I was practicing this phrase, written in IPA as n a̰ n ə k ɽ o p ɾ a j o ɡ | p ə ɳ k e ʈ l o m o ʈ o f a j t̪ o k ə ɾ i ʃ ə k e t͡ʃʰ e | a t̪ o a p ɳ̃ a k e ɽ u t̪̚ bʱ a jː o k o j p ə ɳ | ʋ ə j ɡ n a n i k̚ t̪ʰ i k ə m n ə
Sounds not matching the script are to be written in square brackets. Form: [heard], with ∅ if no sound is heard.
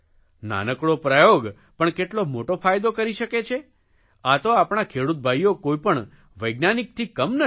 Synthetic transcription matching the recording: n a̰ n ə k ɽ o p ɾ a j o ɡ | p ə ɳ k e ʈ l o m o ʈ o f a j [d̪] o k ə ɾ i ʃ ə k e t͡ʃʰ e | a t̪ o a p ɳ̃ a [kʰ] e ɽ u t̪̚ bʱ a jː o k o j p ə ɳ | ʋ ə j ɡ n a n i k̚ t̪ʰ i k ə m n ə